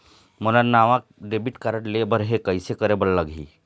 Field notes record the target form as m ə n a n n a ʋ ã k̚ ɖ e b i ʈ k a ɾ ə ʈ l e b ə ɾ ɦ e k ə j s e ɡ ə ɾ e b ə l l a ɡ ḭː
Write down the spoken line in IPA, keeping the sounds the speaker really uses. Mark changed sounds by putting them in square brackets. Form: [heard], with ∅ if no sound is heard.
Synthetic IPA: m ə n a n n a ʋ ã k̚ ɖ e b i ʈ k a ɾ ə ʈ l e b ə ɾ ɦ e k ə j s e [k] ə ɾ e b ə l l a ɡ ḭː